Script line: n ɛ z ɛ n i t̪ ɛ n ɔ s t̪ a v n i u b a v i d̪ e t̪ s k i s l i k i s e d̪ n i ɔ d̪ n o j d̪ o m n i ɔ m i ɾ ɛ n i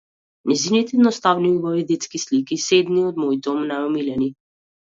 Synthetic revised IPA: n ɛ z i n i t̪ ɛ n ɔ s t̪ a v n i u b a v i d̪ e t̪ s k i s l i k i s e d̪ n i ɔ d̪ m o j d̪ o m n a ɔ m i l ɛ n i